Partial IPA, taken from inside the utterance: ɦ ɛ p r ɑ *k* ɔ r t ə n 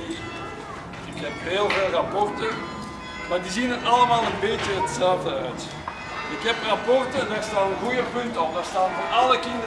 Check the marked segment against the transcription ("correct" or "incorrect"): incorrect